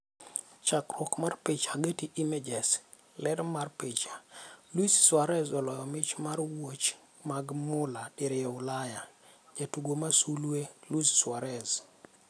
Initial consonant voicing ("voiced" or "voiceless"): voiceless